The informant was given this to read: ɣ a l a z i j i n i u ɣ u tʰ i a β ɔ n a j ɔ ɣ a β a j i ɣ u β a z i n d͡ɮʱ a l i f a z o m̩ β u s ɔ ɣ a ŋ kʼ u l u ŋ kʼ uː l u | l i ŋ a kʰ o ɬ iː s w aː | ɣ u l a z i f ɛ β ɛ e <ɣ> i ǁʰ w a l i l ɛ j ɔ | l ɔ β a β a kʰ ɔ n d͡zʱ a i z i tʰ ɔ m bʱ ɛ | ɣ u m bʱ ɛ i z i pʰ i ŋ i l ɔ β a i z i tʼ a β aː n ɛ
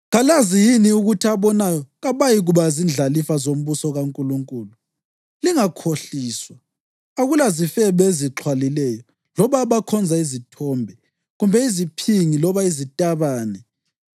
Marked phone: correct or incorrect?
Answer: incorrect